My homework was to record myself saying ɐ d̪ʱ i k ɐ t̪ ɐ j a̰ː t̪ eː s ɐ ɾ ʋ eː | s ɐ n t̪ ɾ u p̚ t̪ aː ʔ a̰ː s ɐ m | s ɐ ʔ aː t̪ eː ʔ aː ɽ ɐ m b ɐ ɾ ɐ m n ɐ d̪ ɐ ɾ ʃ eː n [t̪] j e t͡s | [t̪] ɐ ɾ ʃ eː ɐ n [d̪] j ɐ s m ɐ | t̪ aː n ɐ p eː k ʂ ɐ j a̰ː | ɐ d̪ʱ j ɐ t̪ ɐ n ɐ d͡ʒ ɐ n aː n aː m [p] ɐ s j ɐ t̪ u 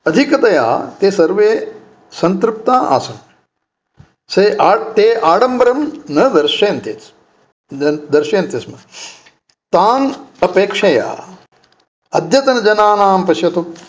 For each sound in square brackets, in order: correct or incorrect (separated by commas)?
correct, incorrect, incorrect, correct